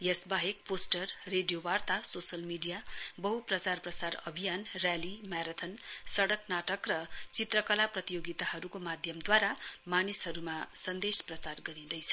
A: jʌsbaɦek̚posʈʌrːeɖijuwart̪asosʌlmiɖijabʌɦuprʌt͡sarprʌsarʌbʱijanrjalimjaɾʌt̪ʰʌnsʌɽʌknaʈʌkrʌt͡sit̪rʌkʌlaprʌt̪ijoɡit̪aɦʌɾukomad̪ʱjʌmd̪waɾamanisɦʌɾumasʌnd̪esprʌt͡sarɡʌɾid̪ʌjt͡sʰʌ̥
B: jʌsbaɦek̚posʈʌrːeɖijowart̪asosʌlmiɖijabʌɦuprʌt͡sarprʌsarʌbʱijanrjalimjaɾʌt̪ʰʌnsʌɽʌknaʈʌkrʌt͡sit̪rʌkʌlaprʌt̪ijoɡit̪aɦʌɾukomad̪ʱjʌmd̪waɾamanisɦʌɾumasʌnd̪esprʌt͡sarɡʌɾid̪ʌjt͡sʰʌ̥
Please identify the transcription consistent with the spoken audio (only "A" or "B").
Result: B